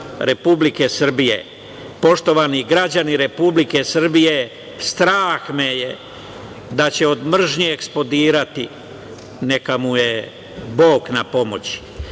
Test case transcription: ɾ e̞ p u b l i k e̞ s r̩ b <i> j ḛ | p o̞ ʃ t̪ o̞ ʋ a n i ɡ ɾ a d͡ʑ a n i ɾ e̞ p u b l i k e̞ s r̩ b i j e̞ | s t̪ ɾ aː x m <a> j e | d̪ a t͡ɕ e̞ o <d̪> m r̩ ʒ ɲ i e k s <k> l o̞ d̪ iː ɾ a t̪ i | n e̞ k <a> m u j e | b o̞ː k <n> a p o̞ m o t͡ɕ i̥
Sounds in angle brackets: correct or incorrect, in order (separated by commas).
correct, incorrect, correct, incorrect, correct, correct